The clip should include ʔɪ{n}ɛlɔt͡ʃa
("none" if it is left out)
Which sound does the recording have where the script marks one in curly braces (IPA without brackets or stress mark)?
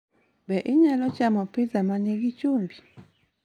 ɲ